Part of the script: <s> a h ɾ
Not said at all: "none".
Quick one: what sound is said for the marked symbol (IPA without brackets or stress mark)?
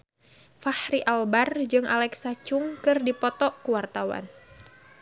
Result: f